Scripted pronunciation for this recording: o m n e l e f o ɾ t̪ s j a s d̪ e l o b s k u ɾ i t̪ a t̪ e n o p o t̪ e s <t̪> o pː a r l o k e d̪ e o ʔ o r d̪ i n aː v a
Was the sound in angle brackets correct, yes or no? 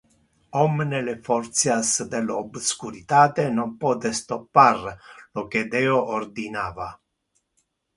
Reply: yes